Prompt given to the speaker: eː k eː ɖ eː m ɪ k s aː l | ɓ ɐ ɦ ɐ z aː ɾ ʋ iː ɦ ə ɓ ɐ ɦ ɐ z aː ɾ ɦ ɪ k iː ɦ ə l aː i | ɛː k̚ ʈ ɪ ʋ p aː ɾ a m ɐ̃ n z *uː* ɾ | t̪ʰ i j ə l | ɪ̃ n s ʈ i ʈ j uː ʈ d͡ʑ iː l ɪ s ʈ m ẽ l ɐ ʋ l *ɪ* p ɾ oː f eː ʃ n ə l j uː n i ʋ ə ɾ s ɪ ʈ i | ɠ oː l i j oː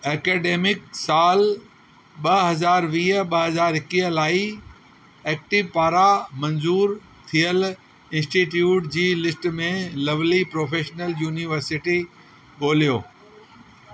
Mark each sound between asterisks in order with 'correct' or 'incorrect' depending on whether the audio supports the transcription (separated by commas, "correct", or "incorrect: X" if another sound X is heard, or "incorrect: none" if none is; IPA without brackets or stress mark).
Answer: correct, incorrect: i